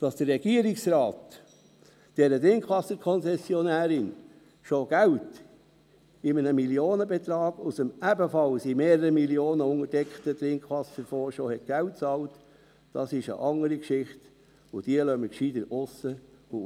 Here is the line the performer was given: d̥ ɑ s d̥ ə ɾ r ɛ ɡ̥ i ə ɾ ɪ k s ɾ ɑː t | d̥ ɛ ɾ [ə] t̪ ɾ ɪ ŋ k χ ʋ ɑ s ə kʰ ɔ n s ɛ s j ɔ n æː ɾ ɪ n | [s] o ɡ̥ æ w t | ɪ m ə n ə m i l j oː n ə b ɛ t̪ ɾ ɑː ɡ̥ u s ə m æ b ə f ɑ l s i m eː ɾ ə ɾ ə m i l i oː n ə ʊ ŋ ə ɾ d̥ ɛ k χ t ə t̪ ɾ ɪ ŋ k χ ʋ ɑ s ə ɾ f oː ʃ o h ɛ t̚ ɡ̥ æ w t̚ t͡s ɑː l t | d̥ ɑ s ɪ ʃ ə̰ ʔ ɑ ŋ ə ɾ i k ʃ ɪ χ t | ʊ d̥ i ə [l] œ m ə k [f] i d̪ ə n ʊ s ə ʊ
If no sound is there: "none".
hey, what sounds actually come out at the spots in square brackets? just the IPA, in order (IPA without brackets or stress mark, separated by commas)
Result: ə, ʃ, l, ʃ